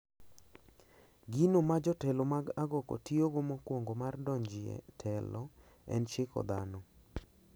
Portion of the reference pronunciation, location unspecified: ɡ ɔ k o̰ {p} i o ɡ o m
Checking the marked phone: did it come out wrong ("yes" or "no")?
yes